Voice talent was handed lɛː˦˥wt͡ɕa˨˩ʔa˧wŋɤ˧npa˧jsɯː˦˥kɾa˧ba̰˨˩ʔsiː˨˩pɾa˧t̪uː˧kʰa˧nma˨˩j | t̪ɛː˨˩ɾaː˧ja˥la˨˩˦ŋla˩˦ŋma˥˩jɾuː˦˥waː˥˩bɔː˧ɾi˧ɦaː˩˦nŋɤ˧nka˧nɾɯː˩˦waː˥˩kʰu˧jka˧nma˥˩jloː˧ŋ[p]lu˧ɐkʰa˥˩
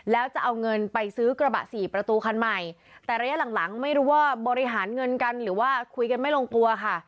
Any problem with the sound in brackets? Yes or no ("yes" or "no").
yes